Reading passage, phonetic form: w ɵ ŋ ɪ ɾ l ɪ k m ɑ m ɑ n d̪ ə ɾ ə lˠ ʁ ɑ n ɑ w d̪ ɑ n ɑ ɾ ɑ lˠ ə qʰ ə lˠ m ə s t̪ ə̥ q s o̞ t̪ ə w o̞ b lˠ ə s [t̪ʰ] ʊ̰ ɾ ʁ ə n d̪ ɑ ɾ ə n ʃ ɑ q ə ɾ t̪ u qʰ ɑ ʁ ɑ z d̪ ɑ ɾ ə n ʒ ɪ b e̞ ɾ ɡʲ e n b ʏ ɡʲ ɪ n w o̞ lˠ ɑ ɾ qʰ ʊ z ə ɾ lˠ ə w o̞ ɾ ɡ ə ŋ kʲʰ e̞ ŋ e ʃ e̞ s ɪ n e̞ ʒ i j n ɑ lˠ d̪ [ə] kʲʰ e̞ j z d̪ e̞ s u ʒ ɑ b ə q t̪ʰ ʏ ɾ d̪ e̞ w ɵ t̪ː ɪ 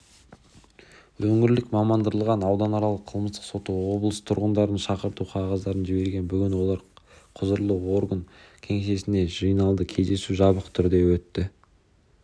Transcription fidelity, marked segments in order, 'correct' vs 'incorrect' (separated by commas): correct, correct